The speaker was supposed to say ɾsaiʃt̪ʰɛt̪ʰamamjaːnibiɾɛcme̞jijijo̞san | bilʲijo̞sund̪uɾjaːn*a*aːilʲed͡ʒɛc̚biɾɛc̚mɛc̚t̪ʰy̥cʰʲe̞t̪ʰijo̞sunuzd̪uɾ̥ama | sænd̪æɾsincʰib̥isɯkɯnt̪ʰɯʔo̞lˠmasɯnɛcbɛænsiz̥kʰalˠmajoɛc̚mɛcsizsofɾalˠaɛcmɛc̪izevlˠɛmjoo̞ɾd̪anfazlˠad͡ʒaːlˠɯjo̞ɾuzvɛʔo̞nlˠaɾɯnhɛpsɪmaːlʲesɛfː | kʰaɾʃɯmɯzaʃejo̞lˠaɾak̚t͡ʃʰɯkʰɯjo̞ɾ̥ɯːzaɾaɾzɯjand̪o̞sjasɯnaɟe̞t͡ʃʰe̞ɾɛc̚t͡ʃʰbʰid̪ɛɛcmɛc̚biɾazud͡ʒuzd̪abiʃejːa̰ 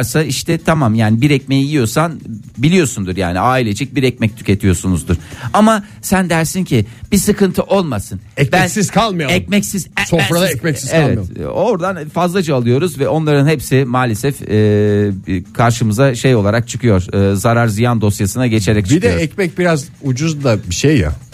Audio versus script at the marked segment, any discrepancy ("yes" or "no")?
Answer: yes